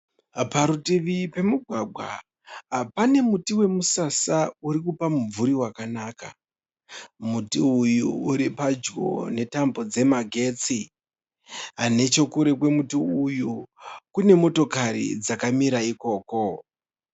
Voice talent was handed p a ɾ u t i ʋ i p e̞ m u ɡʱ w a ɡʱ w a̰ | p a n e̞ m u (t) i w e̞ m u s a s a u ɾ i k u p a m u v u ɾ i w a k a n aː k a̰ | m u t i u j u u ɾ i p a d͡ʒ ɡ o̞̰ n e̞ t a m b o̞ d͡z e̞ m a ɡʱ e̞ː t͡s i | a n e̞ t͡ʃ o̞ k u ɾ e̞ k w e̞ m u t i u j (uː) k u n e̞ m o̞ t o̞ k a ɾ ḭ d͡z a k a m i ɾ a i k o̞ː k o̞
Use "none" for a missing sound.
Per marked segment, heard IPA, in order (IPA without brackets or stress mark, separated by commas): t, u